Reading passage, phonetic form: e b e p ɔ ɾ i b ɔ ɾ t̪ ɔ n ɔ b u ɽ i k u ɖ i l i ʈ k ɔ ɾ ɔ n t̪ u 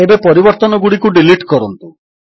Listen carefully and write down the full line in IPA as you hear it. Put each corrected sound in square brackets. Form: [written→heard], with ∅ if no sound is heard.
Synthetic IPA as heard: e b e p ɔ ɾ i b ɔ ɾ t̪ ɔ n ɔ [b→ɡ] u ɽ i k u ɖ i l i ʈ k ɔ ɾ ɔ n t̪ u

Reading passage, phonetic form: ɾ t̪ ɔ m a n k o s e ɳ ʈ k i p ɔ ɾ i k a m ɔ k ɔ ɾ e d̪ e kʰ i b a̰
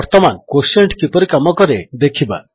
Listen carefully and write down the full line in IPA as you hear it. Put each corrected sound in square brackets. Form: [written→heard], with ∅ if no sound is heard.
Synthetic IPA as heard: ɾ t̪ ɔ m a n k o s e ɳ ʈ k i p ɔ ɾ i k a m ɔ k ɔ ɾ e d̪ e kʰ i b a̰

